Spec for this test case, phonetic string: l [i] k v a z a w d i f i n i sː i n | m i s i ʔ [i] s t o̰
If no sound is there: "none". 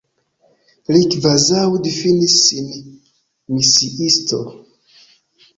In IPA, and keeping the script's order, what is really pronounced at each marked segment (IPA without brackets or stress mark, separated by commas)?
i, i